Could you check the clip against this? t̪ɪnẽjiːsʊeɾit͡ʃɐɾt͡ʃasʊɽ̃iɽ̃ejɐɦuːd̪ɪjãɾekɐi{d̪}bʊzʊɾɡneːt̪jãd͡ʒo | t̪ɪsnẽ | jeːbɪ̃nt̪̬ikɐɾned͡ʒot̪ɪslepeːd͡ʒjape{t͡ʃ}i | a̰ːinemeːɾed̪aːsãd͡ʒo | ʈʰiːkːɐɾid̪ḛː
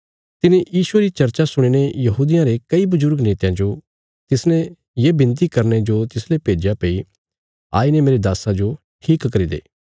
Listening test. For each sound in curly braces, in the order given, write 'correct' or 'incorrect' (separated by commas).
incorrect, incorrect